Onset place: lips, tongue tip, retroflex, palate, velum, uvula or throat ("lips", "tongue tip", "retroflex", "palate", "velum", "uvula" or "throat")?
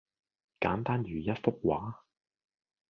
velum